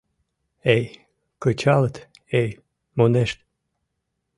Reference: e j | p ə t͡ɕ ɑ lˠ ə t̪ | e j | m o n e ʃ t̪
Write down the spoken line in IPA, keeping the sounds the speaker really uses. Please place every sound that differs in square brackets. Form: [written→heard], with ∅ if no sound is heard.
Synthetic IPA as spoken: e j | [p→k] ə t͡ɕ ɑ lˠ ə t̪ | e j | m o n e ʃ t̪